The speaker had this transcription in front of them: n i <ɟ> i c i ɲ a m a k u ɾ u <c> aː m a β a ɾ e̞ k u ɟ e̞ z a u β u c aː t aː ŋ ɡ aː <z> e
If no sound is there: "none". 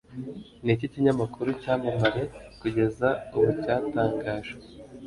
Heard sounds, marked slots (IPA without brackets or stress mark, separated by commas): c, c, ʒ